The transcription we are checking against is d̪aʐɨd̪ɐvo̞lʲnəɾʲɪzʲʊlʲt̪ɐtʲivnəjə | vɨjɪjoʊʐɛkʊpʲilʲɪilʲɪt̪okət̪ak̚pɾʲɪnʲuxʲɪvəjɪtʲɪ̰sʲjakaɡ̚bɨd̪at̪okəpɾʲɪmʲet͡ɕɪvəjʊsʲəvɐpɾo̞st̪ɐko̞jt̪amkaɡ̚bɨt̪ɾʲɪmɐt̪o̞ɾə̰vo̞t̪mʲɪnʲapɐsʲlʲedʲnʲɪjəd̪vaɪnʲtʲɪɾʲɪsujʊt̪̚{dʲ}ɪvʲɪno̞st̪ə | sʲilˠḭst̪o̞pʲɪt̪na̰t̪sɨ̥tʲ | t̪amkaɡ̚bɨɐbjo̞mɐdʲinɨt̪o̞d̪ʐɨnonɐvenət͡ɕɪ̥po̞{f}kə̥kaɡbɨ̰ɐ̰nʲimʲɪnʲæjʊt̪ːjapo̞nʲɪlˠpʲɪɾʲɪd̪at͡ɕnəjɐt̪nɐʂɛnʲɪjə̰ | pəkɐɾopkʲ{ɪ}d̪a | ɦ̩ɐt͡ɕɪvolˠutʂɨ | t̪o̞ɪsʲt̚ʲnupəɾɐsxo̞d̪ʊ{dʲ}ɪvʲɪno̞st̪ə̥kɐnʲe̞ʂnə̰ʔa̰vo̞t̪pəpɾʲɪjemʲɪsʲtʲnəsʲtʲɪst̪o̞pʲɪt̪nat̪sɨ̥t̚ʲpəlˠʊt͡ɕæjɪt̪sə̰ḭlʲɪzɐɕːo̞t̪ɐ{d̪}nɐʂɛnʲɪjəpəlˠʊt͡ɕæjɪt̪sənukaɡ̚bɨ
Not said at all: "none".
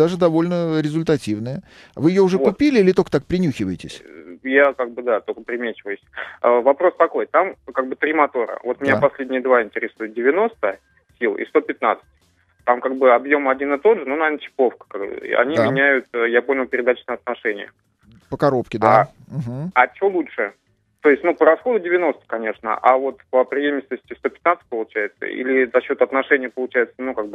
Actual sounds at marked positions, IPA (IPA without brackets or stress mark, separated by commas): dʲ, f, ɪ, dʲ, t̪